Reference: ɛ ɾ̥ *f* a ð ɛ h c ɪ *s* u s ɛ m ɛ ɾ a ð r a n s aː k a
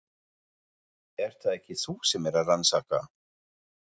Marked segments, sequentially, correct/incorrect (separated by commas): incorrect, incorrect